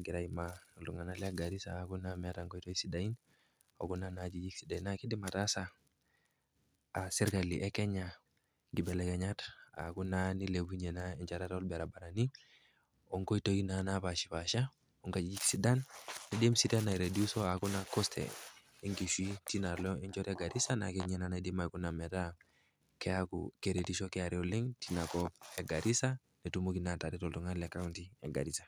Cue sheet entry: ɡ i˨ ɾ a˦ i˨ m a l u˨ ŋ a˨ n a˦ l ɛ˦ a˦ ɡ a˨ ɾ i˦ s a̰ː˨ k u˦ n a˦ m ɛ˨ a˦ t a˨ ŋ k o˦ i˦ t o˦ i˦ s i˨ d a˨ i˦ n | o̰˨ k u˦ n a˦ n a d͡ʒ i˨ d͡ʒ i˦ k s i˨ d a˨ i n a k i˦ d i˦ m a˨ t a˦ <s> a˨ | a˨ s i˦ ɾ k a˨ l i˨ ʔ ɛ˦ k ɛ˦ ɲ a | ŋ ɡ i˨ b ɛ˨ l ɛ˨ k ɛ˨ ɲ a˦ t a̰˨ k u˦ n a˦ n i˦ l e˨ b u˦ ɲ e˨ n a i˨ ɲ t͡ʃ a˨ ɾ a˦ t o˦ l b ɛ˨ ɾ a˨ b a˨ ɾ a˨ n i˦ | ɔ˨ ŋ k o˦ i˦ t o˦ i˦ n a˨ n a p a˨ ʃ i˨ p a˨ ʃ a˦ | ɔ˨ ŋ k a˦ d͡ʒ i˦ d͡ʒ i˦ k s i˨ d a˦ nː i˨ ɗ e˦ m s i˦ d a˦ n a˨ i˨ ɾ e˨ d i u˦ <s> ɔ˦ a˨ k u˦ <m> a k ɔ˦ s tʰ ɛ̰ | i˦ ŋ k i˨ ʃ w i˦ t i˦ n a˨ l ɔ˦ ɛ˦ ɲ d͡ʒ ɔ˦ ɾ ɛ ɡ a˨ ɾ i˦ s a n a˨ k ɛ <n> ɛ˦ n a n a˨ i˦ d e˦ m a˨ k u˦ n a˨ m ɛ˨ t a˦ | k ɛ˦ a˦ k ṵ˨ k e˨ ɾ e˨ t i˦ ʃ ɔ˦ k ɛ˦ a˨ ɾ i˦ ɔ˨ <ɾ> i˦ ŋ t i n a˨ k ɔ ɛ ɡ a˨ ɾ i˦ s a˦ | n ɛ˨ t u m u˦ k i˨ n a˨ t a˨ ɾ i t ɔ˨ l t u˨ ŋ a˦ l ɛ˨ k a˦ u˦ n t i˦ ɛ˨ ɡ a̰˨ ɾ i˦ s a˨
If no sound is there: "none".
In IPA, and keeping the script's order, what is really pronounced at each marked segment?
s, s, n, ɲ, l

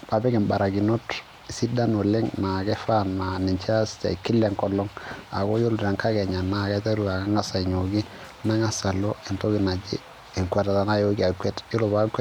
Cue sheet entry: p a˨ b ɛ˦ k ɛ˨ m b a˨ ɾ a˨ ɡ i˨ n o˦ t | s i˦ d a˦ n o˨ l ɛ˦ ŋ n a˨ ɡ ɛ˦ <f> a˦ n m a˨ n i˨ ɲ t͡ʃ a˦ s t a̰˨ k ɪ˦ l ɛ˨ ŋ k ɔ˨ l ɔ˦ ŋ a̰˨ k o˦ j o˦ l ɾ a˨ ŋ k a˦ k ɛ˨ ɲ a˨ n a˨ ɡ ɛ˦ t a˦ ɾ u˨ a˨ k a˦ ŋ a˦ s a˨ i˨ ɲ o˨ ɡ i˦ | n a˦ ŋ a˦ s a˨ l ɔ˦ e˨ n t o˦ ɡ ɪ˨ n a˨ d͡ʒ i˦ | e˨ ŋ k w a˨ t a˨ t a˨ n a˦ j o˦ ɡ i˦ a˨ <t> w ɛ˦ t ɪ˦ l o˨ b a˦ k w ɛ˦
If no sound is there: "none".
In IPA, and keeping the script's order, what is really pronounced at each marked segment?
f, k

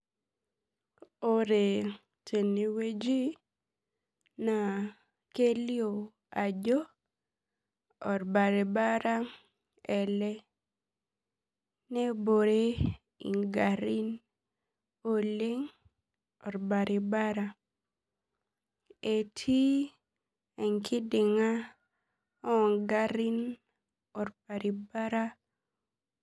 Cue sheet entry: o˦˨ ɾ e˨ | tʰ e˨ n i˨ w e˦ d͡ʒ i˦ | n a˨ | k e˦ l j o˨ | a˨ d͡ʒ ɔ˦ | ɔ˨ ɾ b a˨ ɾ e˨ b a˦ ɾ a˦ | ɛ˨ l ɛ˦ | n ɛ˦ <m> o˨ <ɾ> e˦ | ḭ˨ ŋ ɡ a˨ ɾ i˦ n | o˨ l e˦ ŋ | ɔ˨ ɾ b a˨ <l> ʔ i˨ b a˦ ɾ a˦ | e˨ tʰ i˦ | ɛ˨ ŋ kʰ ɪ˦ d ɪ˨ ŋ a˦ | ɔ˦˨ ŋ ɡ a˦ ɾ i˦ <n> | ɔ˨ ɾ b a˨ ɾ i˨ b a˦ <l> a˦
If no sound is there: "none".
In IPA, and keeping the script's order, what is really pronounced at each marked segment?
b, ɾ, ɾ, n, ɾ

